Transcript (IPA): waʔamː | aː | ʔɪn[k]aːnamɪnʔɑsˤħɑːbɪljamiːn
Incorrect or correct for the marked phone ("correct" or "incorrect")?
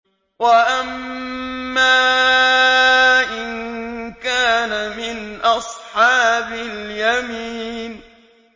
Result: correct